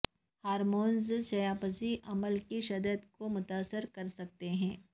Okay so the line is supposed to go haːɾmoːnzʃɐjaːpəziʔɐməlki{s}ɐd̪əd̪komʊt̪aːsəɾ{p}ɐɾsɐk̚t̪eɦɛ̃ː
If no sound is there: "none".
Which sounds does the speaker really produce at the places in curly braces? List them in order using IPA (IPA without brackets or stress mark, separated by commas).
ʃ, k